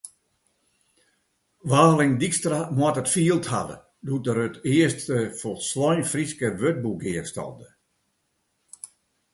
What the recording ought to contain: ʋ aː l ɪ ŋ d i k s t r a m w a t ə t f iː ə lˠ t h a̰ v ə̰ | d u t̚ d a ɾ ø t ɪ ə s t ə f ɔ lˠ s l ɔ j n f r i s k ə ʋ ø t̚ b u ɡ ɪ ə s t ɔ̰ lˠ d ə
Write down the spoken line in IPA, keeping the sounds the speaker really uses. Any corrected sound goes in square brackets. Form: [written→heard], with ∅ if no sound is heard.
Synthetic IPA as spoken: ʋ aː l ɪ ŋ d i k s t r a m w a t ə t f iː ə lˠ t h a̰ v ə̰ | d u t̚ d [a→ə] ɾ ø t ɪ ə s t ə f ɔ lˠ s l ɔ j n f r i s k ə ʋ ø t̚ b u ɡ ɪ ə s t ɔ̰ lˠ d ə

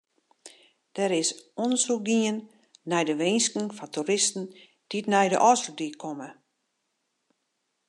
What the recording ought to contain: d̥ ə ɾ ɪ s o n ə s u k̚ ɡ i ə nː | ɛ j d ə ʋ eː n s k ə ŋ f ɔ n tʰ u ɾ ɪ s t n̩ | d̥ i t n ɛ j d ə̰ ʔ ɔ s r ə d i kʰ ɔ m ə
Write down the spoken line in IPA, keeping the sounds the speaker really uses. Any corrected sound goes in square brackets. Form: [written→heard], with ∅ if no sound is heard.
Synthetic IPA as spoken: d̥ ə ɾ ɪ s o n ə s u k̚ ɡ i ə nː | ɛ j d ə ʋ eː n s k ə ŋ f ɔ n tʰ u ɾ ɪ s t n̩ | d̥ i t n ɛ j d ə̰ ʔ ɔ s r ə d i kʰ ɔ m ə

